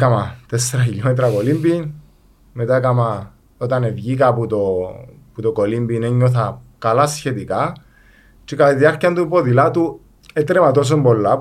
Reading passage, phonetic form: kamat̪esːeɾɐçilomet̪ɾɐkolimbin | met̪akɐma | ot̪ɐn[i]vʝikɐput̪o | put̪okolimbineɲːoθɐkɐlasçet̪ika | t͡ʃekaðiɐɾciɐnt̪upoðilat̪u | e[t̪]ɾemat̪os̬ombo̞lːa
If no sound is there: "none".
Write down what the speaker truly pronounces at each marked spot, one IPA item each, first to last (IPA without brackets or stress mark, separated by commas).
e, t̪